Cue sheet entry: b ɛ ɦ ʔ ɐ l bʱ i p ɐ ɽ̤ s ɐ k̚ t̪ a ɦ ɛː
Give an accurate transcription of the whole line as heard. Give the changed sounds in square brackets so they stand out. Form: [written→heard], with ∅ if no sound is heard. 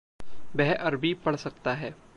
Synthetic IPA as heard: b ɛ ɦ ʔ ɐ [l→ɾ] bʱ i p ɐ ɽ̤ s ɐ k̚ t̪ a ɦ ɛː